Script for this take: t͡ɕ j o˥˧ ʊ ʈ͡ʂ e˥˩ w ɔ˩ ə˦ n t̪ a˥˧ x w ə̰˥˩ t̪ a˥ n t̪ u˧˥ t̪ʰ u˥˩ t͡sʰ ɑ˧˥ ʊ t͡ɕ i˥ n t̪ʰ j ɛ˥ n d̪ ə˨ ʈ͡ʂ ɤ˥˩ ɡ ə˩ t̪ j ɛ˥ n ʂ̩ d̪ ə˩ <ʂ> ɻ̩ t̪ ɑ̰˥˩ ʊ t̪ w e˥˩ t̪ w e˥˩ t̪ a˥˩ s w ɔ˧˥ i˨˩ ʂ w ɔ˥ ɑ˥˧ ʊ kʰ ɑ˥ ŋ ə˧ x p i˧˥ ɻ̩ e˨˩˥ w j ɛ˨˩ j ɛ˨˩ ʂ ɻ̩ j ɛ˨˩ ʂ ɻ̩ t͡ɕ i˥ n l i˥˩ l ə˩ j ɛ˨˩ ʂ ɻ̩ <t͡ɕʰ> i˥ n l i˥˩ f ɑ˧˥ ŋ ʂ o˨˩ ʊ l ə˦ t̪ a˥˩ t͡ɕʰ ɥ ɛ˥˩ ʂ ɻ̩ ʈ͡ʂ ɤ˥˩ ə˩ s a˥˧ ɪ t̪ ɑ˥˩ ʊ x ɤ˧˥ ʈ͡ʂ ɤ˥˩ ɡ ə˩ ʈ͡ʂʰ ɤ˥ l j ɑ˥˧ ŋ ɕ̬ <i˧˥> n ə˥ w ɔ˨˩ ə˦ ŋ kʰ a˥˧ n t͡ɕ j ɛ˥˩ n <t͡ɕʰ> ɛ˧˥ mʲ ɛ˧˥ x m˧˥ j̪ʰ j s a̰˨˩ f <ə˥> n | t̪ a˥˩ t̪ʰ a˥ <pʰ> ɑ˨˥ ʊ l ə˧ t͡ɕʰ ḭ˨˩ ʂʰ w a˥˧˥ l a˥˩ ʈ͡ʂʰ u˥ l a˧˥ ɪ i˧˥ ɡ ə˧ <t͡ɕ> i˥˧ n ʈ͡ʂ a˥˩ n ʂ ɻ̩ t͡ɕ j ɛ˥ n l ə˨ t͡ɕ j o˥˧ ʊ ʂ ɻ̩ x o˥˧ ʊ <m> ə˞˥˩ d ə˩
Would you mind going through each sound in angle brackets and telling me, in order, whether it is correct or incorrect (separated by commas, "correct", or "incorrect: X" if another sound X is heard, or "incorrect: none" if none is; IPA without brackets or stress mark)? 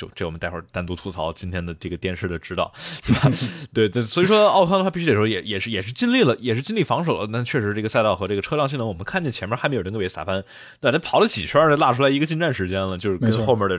incorrect: ʈ͡ʂ, incorrect: t͡ɕ, incorrect: i˥˩, correct, incorrect: a˥, correct, correct, correct